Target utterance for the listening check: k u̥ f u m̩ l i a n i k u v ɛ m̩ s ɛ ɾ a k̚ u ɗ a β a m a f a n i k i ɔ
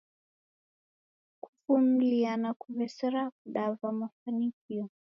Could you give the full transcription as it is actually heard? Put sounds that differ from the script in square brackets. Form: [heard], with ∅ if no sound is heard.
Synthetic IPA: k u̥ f u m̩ l i a n [a] k u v ɛ [∅] s ɛ ɾ a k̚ u ɗ a [v] a m a f a n i k i ɔ